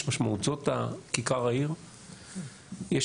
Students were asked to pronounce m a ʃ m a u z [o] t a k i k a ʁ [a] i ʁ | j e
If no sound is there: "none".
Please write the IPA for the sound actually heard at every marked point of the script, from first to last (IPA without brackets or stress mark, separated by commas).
o, a